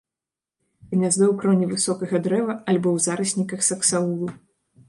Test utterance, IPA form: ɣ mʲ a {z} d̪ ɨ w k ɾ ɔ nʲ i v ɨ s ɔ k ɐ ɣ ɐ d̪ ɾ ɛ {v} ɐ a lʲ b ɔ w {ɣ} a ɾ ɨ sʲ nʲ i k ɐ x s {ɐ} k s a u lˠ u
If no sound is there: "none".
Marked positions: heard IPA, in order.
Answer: z, v, z, ɐ

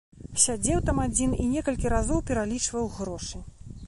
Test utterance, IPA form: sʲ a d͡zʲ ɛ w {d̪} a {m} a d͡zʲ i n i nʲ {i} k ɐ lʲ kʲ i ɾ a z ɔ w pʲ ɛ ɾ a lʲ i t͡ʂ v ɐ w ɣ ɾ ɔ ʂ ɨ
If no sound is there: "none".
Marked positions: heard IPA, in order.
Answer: t̪, m, ɛ

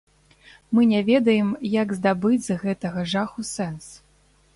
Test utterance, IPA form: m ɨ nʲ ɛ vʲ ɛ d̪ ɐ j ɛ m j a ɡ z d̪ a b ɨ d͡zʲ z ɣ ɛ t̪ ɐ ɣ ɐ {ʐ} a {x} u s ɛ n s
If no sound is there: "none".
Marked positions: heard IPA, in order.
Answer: ʐ, x

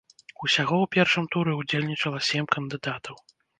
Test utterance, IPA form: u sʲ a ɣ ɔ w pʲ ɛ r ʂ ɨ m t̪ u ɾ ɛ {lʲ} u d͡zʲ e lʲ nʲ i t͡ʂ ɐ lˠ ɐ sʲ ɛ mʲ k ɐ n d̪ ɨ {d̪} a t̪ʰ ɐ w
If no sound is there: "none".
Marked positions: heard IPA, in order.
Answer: none, d̪

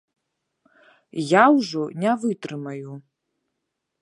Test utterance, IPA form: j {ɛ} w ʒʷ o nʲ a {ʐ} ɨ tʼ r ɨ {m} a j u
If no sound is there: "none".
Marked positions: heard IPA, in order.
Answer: a, v, m

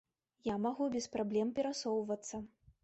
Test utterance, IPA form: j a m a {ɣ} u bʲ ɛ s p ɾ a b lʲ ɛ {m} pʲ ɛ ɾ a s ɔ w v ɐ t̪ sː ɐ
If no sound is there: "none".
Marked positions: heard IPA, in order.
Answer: ɣ, m

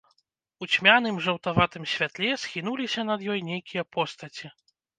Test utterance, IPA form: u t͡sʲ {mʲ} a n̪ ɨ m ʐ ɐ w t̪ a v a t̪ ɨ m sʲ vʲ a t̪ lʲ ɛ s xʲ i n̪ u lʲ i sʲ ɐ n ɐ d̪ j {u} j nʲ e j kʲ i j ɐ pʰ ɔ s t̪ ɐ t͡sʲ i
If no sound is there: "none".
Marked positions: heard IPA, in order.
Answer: mʲ, ɔ

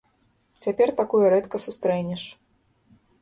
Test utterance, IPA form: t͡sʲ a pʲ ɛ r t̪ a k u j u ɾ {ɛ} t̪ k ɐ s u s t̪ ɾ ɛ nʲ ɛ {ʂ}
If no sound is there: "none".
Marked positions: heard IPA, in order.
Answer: ɛ, ʂ

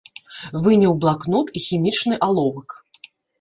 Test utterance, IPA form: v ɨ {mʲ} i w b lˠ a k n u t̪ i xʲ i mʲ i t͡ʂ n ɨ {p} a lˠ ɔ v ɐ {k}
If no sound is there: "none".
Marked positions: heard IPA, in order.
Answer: nʲ, ʔ, k

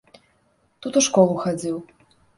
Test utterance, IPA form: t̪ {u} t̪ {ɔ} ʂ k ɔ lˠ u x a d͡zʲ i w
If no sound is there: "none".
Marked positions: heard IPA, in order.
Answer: u, u

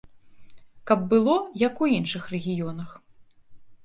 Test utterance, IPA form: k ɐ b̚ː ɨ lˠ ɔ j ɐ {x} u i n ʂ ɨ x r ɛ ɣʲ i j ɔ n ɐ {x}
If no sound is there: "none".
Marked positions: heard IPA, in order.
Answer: k, x

